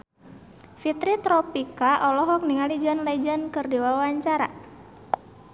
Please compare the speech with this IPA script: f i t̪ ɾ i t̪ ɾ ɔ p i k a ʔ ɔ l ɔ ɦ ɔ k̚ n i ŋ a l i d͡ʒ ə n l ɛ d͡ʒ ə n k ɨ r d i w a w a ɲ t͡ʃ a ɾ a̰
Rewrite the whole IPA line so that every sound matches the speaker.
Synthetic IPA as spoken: f i t̪ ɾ i t̪ ɾ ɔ p i k a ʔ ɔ l ɔ ɦ ɔ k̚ n i ŋ a l i d͡ʒ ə n l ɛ d͡ʒ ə n k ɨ r d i w a w a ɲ t͡ʃ a ɾ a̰